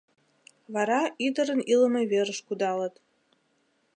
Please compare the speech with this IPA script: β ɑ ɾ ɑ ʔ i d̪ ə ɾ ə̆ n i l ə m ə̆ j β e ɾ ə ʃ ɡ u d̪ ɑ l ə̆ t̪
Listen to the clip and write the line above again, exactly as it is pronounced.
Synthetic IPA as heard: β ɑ ɾ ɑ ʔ i d̪ ə ɾ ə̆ n i l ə m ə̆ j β e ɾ ə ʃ k u d̪ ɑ l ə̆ t̪